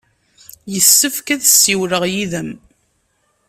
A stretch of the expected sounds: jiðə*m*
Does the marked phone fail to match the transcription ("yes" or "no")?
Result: no